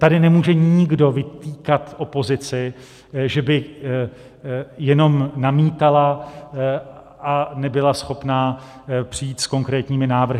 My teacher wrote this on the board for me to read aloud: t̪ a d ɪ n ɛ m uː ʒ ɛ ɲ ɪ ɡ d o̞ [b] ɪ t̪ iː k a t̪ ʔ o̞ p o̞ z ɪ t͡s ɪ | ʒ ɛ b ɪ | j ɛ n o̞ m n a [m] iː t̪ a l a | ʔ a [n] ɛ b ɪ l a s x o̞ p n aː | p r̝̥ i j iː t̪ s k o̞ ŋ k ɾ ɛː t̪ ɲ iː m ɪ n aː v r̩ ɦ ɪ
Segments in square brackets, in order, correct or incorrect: incorrect: v, correct, correct

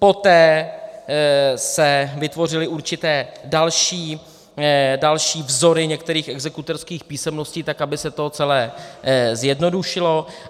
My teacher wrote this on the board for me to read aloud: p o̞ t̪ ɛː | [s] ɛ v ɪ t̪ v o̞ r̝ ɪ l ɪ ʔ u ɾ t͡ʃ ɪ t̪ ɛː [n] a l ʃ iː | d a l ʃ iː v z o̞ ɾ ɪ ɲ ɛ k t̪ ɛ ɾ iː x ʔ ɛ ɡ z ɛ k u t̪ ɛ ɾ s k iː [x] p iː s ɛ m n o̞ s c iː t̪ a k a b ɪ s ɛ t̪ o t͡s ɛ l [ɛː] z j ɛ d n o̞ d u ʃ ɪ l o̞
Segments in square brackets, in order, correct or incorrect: correct, incorrect: d, correct, correct

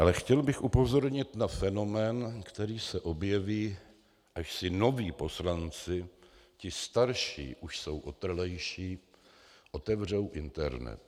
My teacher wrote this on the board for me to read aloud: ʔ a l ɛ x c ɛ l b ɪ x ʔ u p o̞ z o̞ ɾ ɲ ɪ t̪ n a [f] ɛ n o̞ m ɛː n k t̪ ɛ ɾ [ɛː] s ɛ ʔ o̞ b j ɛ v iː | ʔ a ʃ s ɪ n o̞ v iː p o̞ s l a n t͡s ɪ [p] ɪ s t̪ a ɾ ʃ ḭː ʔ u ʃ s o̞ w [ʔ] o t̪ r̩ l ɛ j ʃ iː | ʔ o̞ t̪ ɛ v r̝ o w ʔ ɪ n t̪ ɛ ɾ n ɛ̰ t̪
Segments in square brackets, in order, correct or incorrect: correct, incorrect: iː, incorrect: c, correct

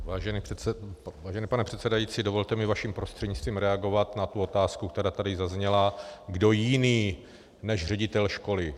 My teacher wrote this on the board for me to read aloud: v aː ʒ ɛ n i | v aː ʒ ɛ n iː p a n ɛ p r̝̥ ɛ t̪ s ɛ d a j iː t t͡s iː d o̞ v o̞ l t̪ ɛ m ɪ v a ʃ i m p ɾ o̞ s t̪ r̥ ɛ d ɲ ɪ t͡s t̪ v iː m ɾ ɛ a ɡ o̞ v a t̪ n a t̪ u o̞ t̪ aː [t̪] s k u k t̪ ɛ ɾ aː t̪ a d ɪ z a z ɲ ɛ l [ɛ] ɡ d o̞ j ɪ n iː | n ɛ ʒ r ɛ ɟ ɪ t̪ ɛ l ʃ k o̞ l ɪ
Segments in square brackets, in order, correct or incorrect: incorrect: none, incorrect: a

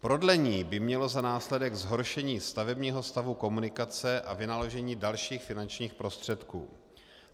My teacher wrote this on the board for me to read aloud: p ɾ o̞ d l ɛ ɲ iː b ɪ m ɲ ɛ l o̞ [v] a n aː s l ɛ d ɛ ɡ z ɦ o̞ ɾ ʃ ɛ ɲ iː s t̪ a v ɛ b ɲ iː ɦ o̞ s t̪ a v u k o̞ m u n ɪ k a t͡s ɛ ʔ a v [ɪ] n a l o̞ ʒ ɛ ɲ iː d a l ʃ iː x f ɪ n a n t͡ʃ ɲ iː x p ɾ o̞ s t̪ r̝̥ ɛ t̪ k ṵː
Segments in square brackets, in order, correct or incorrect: incorrect: z, correct

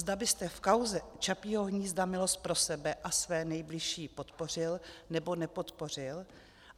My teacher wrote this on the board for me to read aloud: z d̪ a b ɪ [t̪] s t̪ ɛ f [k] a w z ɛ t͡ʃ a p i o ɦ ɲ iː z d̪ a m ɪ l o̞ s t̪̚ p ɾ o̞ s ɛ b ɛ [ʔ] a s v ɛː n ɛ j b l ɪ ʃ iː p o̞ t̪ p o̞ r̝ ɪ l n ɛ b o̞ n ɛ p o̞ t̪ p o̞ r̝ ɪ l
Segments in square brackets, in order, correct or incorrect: incorrect: none, correct, correct

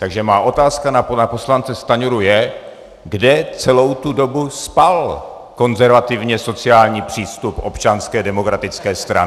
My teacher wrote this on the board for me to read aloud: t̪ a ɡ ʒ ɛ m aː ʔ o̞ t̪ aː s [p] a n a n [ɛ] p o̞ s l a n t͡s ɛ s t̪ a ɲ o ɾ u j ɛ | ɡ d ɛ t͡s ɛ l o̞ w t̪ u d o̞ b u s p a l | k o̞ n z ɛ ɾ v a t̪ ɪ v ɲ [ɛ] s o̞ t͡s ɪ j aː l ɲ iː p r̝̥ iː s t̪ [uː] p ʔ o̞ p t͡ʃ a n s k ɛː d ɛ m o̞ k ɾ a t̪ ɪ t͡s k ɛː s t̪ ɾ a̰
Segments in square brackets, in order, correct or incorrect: incorrect: k, incorrect: a, correct, incorrect: u

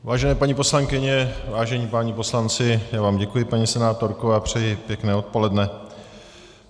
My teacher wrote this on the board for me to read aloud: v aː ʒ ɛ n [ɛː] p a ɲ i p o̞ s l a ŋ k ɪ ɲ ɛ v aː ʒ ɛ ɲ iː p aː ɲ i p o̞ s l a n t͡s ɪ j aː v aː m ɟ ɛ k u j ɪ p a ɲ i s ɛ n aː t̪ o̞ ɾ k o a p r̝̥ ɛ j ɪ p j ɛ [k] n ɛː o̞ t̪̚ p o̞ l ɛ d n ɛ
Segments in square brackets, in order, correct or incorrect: correct, correct

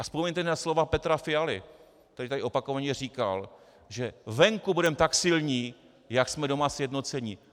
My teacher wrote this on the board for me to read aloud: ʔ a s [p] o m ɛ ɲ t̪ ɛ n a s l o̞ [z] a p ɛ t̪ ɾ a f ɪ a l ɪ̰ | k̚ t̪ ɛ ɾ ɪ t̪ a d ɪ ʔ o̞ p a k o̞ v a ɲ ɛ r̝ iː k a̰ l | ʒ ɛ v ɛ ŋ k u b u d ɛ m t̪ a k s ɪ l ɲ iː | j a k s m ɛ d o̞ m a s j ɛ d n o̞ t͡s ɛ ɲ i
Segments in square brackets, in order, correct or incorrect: correct, incorrect: v

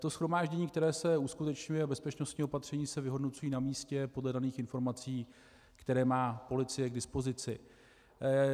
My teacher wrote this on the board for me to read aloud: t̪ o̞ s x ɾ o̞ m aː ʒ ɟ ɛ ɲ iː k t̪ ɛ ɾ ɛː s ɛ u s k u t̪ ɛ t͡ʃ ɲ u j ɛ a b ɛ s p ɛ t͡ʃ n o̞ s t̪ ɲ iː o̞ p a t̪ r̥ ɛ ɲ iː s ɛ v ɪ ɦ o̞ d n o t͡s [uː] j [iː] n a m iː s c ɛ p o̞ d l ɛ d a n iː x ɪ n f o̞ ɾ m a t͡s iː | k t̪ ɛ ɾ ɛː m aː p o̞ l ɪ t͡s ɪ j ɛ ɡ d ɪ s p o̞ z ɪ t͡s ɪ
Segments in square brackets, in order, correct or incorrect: incorrect: u, correct

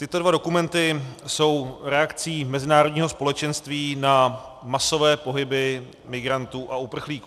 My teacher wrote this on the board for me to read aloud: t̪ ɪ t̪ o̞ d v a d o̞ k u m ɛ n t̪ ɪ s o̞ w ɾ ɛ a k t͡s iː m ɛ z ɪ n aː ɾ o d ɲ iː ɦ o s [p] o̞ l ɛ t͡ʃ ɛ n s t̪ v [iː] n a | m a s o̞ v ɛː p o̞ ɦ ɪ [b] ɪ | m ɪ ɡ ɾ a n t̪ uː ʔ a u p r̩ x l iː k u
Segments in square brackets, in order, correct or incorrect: correct, correct, correct

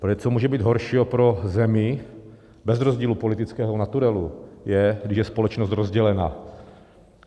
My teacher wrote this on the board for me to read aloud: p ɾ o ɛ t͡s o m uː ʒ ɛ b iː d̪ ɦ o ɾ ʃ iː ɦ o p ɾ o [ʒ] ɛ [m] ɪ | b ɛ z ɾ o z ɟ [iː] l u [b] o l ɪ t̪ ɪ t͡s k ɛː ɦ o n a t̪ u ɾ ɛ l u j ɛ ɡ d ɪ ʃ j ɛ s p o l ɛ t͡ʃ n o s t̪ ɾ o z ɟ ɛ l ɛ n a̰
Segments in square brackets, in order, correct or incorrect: incorrect: z, correct, correct, incorrect: p

